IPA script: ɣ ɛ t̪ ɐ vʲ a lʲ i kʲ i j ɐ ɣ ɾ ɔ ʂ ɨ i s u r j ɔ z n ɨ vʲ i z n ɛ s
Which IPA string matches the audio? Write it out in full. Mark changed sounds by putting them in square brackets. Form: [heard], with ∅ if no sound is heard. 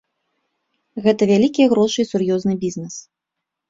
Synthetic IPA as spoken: ɣ ɛ t̪ ɐ vʲ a lʲ i kʲ i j ɐ ɣ ɾ ɔ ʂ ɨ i s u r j ɔ z n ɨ [bʲ] i z n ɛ s